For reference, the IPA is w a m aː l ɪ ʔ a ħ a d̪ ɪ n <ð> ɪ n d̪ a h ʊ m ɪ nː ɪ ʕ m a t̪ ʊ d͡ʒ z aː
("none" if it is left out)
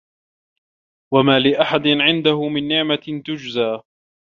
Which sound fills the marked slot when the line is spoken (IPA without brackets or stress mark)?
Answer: ʕ